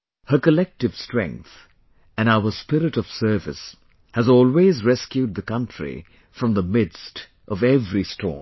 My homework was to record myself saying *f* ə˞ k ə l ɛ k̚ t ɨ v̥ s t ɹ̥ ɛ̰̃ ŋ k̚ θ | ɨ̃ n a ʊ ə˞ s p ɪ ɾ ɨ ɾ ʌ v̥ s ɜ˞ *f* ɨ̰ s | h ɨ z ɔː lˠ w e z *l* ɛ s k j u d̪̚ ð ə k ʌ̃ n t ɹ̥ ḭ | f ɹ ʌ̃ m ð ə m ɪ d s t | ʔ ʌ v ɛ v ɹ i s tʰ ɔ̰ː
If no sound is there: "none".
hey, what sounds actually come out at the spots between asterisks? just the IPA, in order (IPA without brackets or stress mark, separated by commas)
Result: h, v, ɹ